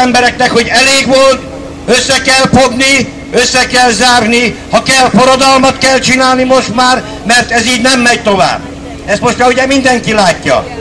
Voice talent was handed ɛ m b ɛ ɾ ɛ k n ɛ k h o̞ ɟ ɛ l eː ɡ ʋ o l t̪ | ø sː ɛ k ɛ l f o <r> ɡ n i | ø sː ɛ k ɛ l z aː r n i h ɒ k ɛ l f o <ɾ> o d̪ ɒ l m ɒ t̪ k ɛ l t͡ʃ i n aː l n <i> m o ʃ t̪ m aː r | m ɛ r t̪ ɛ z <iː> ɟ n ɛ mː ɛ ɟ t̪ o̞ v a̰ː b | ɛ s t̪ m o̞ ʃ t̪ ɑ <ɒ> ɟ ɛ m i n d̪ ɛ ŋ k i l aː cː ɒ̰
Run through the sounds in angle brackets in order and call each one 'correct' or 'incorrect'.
incorrect: none, correct, correct, correct, incorrect: u

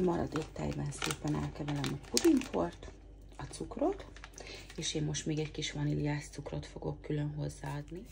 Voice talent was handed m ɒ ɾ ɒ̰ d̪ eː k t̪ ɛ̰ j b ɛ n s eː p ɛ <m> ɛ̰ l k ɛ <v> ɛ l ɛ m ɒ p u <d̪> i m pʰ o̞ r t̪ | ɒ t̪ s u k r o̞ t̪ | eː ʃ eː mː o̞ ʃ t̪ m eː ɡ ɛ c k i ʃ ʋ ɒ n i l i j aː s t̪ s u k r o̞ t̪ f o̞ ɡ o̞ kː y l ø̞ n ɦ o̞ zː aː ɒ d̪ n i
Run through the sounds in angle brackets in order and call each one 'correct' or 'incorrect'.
incorrect: n, correct, correct

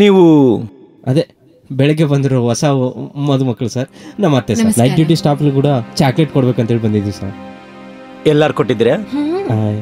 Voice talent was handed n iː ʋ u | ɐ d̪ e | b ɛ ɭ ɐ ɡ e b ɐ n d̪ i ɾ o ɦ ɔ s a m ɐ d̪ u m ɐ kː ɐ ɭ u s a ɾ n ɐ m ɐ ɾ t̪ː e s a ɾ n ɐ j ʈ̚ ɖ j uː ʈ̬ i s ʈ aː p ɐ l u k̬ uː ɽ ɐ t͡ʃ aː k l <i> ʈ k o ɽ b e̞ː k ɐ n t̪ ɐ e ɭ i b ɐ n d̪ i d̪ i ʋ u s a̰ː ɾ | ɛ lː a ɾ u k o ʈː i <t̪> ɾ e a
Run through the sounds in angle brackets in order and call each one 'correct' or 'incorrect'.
incorrect: e, incorrect: d̪

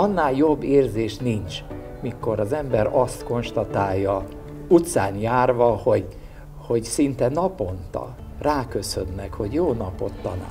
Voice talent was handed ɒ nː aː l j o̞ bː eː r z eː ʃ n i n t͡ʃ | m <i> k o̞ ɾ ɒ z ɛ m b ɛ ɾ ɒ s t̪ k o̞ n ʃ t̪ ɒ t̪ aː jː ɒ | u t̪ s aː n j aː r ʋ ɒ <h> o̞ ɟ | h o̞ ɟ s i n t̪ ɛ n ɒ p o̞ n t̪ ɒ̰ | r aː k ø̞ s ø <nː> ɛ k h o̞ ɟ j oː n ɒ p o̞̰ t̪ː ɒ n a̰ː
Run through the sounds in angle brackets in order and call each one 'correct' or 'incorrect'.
correct, correct, correct

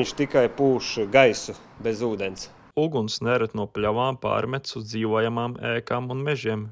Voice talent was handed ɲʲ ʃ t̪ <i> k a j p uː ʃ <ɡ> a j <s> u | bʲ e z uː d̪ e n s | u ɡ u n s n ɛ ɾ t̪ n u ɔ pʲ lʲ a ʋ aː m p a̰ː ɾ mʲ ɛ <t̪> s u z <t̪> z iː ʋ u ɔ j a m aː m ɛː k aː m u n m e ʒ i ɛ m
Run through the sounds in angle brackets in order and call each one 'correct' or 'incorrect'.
correct, correct, correct, correct, incorrect: d̪

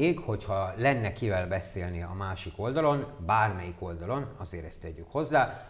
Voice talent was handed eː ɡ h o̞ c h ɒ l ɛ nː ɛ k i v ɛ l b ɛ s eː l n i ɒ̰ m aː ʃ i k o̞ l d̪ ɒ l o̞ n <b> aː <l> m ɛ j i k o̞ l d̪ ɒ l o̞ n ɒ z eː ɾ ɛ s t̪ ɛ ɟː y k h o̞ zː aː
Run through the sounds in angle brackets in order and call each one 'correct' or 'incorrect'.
correct, incorrect: r

